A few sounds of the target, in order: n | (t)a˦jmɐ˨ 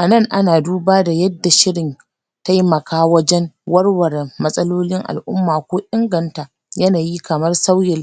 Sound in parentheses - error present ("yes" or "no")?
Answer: no